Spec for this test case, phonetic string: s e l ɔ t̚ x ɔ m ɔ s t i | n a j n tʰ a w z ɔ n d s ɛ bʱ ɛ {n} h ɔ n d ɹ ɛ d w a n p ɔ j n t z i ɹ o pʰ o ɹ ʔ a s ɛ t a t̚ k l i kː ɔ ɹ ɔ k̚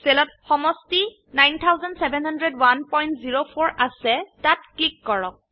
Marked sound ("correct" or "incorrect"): correct